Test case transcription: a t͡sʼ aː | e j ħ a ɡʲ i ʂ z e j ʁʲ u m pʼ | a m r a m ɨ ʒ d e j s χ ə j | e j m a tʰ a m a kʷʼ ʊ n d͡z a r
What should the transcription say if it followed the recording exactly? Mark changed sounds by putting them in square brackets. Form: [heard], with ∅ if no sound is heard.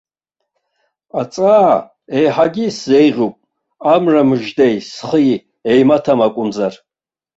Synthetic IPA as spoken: a t͡sʼ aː | e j ħ a ɡʲ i [s] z e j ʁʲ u [∅] pʼ | a m r a m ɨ ʒ d e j s χ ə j | e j m a tʰ a m a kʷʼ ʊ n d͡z a r